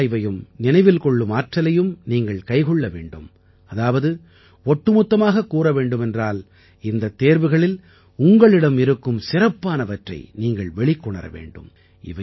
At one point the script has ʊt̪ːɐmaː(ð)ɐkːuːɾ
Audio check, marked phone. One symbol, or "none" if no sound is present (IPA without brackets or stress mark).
ɣ